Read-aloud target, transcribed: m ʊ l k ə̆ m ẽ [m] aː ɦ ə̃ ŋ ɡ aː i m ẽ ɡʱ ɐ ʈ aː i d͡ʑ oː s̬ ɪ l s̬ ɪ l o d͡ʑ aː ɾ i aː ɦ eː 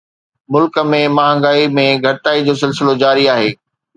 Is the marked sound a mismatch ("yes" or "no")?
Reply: no